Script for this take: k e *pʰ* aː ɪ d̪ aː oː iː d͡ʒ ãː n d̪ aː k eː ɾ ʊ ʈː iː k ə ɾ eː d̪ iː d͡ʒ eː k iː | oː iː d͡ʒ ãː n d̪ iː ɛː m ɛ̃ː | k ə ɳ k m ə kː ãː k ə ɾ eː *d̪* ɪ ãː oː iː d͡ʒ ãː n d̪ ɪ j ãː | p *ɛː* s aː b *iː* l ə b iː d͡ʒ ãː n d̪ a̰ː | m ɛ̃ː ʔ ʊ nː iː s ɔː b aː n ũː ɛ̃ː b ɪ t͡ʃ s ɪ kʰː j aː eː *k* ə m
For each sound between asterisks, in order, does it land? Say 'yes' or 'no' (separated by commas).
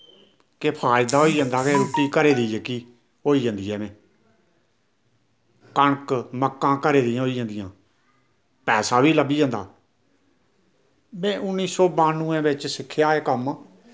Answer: yes, yes, yes, yes, yes